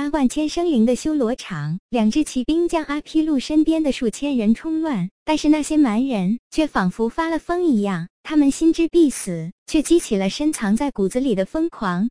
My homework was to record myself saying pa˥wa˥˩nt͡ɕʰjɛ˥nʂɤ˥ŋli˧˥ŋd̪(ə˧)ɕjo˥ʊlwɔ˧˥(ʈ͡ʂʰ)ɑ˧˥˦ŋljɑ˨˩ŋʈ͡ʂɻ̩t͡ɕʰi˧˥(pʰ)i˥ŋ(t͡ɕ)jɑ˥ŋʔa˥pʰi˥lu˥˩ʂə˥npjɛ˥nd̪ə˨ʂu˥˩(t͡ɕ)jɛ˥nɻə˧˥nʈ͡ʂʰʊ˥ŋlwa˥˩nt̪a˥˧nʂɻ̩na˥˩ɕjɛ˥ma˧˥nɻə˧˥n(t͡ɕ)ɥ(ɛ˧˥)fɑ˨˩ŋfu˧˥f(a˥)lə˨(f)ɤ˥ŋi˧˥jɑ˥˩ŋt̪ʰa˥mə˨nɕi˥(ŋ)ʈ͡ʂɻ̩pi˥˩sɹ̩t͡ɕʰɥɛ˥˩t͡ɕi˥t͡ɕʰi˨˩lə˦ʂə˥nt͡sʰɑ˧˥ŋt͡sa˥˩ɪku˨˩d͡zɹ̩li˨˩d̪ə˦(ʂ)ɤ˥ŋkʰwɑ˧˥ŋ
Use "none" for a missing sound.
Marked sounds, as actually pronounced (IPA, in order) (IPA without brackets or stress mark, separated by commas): ə˧, ʈ͡ʂʰ, p, t͡ɕ, t͡ɕʰ, t͡ɕʰ, ɛ˥˩, a˥, f, n, f